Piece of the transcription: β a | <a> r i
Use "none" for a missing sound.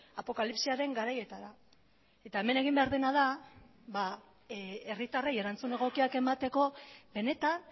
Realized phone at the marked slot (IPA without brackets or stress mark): e